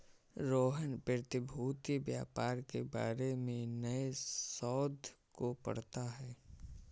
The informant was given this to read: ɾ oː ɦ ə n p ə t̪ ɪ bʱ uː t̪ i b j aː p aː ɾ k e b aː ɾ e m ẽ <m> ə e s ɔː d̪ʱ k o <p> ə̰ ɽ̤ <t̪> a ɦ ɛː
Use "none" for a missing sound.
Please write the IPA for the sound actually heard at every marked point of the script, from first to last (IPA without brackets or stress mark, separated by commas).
n, p, t̪